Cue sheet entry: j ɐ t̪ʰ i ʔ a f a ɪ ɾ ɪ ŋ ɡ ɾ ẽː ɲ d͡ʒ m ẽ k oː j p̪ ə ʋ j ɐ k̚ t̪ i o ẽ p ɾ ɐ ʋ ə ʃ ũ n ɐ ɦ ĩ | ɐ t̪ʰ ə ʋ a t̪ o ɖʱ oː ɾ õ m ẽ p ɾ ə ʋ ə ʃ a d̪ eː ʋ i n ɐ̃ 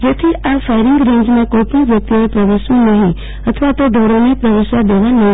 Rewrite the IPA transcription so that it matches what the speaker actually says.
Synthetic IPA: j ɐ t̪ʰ i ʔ a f a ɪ ɾ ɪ ŋ ɡ ɾ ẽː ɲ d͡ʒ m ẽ k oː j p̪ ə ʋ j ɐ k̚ t̪ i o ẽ p ɾ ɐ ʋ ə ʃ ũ n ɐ ɦ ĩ | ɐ t̪ʰ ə ʋ a t̪ o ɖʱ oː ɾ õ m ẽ p ɾ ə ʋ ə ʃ a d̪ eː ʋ a n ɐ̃